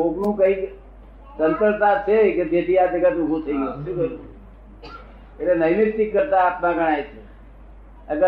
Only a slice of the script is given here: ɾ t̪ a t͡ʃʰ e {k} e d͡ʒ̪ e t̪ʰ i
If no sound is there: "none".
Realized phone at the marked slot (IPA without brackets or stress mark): k